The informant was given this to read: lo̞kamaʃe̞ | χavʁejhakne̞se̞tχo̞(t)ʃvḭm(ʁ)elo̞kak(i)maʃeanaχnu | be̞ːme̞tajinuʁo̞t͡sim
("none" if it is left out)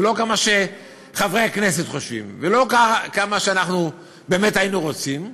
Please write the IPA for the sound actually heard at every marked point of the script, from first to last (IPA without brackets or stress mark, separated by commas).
none, v, a